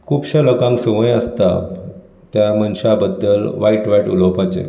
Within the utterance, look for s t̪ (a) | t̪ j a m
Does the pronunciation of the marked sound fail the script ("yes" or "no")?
no